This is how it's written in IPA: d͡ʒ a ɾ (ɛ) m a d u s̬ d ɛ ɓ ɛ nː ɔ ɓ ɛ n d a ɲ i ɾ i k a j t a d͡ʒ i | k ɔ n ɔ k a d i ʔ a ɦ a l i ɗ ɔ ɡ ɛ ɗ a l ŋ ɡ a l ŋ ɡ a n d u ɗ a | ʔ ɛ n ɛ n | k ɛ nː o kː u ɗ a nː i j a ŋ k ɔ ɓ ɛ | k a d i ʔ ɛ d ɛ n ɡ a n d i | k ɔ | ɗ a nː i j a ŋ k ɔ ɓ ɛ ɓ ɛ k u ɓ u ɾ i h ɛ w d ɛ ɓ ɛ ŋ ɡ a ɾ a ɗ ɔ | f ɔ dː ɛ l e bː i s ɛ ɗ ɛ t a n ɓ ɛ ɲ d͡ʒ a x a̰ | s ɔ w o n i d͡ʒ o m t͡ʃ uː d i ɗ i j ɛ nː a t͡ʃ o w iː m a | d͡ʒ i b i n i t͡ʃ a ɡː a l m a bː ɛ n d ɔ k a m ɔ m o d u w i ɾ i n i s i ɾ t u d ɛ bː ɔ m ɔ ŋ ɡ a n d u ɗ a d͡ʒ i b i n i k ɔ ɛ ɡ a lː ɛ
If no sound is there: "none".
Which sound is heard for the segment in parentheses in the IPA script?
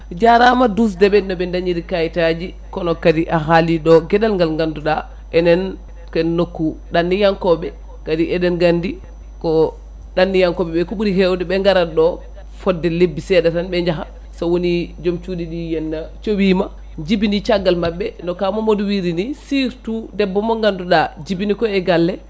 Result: a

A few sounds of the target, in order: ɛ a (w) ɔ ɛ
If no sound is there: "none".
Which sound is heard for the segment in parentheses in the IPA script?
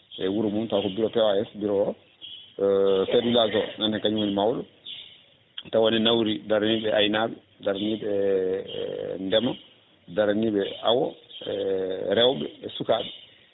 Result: w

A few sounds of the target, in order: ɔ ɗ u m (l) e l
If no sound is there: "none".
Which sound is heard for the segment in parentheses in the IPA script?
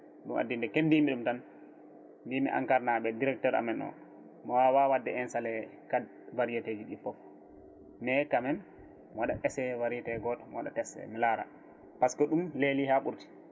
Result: l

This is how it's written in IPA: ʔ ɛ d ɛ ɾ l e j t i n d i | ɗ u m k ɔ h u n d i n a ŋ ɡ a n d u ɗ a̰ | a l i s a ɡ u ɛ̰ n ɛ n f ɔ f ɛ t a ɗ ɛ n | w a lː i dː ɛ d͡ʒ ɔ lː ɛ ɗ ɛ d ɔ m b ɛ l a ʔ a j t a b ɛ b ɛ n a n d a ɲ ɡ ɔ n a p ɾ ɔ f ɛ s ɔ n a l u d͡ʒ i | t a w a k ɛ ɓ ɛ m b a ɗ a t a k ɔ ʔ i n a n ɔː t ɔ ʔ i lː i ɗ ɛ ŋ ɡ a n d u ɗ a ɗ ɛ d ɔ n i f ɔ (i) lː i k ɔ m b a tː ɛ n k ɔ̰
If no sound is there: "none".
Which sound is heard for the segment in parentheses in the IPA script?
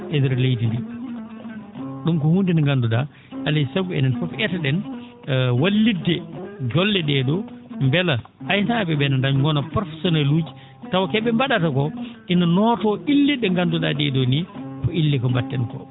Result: i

